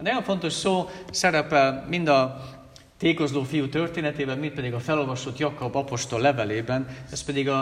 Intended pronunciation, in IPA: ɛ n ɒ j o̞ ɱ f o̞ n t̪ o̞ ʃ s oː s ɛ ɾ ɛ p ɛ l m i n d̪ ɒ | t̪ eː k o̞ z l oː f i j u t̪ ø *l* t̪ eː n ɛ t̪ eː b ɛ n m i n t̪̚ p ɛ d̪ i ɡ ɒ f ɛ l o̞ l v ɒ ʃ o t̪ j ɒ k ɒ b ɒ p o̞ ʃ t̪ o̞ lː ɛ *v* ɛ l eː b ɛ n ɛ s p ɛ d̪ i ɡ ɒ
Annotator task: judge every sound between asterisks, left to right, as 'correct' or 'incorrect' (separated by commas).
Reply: incorrect, correct